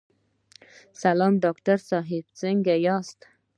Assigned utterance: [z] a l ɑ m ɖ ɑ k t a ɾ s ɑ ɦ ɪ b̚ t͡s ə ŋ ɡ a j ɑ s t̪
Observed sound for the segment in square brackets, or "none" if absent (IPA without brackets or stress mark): s